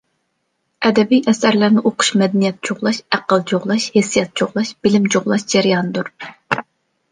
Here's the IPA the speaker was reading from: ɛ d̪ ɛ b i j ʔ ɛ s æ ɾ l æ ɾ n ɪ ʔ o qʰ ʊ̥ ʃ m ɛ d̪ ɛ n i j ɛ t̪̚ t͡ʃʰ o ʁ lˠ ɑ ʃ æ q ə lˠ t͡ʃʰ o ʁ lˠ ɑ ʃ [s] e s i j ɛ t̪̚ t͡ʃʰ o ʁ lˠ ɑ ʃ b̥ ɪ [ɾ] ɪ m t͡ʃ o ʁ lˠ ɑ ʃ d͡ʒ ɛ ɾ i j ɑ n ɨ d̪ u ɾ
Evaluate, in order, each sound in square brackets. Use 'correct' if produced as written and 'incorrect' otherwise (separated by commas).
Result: incorrect, incorrect